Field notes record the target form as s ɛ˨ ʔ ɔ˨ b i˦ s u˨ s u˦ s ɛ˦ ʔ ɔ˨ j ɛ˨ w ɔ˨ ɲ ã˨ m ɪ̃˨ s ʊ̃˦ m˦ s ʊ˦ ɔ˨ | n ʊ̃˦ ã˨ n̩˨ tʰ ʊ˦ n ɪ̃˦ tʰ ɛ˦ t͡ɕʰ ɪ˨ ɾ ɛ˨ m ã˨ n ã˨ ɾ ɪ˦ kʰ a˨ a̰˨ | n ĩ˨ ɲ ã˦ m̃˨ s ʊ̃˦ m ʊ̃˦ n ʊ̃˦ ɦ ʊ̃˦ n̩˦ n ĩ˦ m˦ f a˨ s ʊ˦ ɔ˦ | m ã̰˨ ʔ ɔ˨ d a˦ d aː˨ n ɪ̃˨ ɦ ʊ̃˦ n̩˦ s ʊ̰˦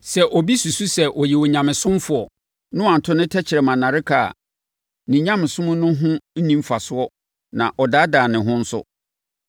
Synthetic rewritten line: s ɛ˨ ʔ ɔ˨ b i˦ s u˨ s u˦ s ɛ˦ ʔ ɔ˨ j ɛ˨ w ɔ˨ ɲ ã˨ m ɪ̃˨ s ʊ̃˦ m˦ f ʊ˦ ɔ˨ | n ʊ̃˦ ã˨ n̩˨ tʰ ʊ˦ n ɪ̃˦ tʰ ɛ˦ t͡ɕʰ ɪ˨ ɾ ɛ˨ m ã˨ n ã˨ ɾ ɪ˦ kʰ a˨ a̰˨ | n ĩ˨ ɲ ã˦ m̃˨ s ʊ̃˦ m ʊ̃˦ n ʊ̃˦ ɦ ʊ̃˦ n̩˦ n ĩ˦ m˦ f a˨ s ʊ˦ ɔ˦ | n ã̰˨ ʔ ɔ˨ d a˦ d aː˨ n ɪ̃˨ ɦ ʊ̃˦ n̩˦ s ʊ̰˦